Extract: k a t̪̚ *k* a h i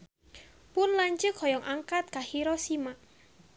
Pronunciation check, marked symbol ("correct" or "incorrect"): correct